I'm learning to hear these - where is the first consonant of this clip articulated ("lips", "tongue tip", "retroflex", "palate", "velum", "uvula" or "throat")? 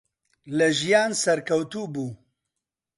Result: tongue tip